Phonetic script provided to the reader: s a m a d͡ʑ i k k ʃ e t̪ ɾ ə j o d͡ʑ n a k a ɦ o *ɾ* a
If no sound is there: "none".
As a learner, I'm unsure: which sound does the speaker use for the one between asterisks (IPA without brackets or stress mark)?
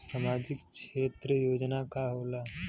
l